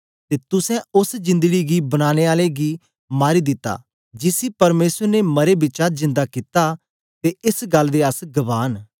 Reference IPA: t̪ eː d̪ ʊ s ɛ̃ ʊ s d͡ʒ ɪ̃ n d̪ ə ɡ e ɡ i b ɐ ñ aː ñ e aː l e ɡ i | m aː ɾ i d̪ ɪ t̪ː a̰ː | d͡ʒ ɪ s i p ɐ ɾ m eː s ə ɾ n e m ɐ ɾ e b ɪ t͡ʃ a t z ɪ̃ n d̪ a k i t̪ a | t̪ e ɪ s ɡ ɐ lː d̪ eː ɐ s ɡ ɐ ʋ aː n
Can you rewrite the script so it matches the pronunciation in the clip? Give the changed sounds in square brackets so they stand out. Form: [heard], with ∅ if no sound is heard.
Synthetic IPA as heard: t̪ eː [t̪] ʊ s ɛ̃ ʊ s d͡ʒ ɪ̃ n d̪ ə ɡ [i] ɡ i b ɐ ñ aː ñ e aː l e ɡ i | m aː ɾ i d̪ ɪ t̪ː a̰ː | d͡ʒ ɪ s i p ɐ ɾ m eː s ə ɾ n e m ɐ ɾ e b ɪ t͡ʃ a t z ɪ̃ n d̪ a k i t̪ a | t̪ e ɪ s ɡ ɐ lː d̪ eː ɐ s ɡ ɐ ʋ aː n